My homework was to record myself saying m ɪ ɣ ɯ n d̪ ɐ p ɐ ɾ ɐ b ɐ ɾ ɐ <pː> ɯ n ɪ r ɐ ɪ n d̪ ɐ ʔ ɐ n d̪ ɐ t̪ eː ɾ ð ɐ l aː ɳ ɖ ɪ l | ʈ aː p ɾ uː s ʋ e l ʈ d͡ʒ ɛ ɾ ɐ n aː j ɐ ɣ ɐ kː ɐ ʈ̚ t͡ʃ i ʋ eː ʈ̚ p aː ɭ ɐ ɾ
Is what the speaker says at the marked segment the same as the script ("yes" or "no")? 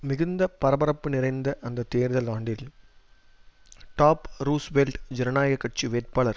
yes